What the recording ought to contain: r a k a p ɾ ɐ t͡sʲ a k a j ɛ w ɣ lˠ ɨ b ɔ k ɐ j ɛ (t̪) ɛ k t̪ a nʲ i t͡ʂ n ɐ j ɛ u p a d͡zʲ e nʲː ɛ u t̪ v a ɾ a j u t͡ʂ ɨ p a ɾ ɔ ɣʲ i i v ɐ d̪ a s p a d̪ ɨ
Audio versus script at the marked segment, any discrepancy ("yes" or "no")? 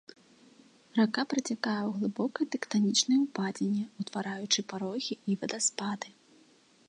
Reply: no